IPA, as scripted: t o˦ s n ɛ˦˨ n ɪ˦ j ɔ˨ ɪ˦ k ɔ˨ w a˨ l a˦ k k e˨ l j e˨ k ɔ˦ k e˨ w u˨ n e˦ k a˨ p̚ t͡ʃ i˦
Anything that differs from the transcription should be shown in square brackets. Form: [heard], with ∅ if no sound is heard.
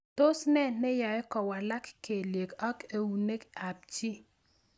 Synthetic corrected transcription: t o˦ s n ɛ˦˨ n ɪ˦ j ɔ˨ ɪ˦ k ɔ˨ w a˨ l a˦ k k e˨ l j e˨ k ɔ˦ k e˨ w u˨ n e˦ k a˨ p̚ t͡ʃ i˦